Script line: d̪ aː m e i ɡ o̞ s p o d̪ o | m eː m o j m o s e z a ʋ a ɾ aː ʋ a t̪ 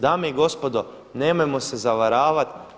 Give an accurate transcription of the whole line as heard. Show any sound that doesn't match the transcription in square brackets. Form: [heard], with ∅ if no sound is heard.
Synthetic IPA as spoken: d̪ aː m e i ɡ o̞ s p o d̪ o | [n] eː m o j m o s e z a ʋ a ɾ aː ʋ a t̪